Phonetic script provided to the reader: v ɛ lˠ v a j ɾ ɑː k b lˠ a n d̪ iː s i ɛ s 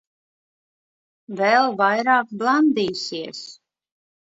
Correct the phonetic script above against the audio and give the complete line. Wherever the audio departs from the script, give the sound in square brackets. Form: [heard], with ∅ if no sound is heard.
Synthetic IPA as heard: v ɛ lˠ v a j ɾ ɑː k b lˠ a n d̪ iː s i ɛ s